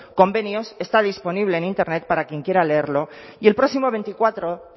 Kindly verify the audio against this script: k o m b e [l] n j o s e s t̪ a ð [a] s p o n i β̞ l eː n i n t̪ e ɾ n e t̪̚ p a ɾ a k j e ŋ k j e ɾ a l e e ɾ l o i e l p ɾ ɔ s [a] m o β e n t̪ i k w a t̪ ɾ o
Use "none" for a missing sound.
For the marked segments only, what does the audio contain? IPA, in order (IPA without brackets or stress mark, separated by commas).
none, i, i